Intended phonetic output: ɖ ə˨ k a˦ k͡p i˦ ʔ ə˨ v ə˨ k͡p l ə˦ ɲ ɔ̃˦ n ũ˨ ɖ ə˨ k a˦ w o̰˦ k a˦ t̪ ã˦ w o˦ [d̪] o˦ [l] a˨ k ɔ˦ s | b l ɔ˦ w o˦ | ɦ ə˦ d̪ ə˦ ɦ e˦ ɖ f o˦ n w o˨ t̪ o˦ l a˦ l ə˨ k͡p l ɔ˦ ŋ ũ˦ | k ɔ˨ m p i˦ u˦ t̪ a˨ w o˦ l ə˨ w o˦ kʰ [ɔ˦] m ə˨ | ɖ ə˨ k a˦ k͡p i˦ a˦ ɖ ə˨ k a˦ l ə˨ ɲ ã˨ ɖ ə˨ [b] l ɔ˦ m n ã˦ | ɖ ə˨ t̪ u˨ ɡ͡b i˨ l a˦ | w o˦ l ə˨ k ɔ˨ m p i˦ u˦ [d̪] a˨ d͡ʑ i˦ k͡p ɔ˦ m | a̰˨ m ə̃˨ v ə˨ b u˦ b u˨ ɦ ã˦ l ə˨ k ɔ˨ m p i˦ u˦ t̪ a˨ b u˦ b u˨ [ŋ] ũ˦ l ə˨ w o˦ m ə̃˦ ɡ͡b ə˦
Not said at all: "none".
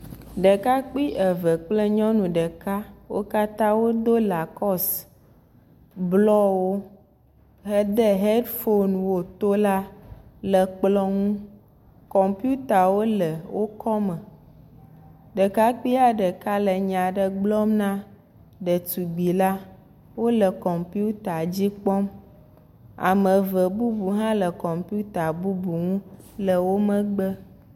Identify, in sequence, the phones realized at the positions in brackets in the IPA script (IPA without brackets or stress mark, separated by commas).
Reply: d̪, l, ɔ˦, ɡ͡b, t̪, ŋ